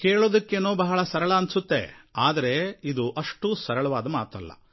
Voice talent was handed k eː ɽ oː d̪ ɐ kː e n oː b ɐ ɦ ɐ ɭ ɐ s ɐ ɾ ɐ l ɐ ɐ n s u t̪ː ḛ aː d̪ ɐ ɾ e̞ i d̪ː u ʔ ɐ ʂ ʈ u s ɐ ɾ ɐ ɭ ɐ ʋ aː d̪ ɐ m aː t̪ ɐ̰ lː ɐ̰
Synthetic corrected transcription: k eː ɭ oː d̪ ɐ kː e n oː b ɐ ɦ ɐ ɭ ɐ s ɐ ɾ ɐ ɭ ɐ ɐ n s u t̪ː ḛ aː d̪ ɐ ɾ e̞ i d̪ u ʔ ɐ ʂ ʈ u s ɐ ɾ ɐ ɭ ɐ ʋ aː d̪ ɐ m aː t̪ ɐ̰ lː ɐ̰